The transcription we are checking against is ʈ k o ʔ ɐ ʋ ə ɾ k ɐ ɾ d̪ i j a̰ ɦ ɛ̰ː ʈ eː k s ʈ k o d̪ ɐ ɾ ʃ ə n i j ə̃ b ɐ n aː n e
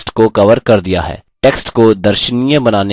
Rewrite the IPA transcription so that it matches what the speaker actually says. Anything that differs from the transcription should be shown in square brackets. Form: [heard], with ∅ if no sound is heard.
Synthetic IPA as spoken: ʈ k o [k] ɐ ʋ ə ɾ k ɐ ɾ d̪ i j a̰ ɦ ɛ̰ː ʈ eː k s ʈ k o d̪ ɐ ɾ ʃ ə n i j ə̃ b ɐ n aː n e